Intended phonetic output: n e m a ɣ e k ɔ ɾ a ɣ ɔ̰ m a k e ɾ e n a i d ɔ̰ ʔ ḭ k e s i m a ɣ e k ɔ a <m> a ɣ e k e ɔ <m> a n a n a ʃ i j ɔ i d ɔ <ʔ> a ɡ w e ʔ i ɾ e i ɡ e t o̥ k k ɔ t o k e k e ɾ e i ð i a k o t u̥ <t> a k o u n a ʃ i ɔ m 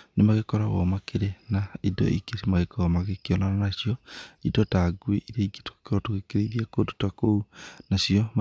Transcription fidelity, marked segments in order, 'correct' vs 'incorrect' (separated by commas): correct, incorrect, incorrect, correct